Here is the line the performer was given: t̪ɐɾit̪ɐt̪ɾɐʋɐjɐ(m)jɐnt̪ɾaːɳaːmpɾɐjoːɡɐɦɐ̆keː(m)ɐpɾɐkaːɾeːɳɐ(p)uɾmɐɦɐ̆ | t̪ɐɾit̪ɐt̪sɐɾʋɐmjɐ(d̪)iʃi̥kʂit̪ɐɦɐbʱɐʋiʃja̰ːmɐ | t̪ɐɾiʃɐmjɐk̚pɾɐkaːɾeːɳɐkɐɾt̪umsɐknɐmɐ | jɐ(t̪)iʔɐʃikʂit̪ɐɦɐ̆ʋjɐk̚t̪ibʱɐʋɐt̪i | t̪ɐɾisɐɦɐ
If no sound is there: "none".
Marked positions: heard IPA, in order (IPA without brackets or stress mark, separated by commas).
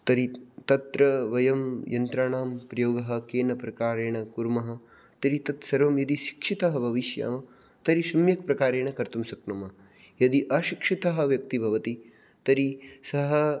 m, n, k, d̪, d̪